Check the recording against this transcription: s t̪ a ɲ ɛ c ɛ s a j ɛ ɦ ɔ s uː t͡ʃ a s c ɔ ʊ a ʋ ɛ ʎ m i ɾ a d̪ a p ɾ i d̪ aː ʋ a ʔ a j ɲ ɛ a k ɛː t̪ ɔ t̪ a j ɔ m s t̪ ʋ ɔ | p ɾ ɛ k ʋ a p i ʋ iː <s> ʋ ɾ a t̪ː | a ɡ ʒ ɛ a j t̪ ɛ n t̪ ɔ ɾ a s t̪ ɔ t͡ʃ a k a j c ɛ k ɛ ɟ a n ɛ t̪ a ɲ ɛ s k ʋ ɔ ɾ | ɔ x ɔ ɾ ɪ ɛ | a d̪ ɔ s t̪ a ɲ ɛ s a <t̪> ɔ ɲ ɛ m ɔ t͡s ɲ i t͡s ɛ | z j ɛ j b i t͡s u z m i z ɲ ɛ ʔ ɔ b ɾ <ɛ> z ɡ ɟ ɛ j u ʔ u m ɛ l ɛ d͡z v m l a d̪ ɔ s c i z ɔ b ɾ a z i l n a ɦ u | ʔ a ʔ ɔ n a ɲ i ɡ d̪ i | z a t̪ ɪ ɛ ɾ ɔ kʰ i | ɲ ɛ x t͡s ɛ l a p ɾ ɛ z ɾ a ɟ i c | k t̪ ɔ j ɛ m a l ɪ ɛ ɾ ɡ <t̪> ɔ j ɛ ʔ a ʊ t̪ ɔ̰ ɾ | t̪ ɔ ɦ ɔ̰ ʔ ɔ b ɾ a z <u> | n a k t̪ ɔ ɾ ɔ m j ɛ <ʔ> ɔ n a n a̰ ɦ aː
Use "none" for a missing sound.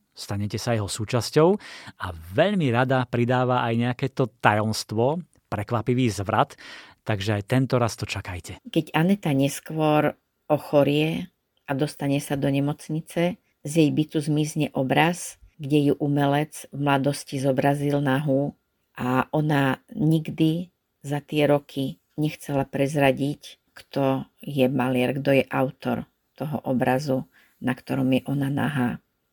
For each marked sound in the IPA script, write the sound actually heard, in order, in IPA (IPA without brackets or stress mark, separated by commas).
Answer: z, d̪, a, d̪, u, ʔ